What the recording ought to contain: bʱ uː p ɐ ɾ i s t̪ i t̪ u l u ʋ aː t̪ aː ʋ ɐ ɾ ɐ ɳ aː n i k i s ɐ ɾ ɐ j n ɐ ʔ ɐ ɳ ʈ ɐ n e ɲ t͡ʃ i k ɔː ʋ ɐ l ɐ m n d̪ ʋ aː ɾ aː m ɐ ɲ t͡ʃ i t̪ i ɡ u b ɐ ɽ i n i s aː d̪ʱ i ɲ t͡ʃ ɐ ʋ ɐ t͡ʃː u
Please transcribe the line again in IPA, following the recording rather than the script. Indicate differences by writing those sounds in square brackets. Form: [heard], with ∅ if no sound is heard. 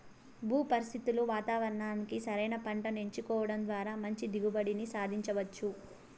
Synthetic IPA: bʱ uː p ɐ ɾ i s t̪ i t̪ u l u ʋ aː t̪ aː ʋ ɐ ɾ ɐ ɳ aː n i k i s ɐ ɾ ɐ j n ɐ [p] ɐ ɳ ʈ ɐ n e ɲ t͡ʃ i k ɔː ʋ ɐ [ɽ] ɐ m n d̪ ʋ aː ɾ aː m ɐ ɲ t͡ʃ i [d̪] i ɡ u b ɐ ɽ i n i s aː d̪ʱ i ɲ t͡ʃ ɐ ʋ ɐ t͡ʃː u